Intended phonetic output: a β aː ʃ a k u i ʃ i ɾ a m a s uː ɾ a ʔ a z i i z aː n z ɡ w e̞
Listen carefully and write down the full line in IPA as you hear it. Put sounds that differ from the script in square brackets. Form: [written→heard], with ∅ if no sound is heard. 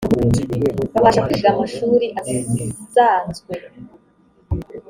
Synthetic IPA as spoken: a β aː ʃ a k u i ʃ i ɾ a m a [s→ʃ] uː ɾ [a→i] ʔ a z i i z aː n z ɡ w e̞